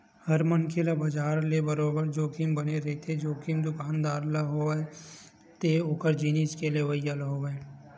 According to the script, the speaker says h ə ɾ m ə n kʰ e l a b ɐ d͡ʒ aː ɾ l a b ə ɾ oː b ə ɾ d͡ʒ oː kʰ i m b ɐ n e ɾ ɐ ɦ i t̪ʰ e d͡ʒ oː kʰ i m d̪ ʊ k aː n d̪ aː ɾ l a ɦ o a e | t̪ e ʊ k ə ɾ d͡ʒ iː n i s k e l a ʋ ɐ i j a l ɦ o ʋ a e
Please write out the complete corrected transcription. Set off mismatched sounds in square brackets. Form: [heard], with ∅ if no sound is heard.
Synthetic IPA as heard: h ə ɾ m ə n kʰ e l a b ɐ d͡ʒ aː ɾ l [e] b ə ɾ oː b ə ɾ d͡ʒ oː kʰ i m b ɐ n e ɾ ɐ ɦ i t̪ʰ e d͡ʒ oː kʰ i m d̪ ʊ k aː n d̪ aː ɾ l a ɦ o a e | t̪ e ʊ k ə ɾ d͡ʒ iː n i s k e l [e] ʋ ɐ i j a l ɦ o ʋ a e

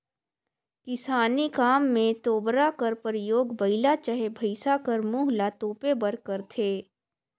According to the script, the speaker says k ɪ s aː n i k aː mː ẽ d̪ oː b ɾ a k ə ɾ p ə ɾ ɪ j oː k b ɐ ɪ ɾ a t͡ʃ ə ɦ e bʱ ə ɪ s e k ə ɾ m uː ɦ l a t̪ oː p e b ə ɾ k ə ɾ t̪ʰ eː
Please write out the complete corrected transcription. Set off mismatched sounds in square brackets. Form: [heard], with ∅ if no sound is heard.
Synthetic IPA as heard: k ɪ s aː n i k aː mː ẽ [t̪] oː b ɾ a k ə ɾ p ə ɾ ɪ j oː [ɡ] b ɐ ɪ [l] a t͡ʃ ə ɦ e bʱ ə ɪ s [a] k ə ɾ m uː ɦ l a t̪ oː p e b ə ɾ k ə ɾ t̪ʰ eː

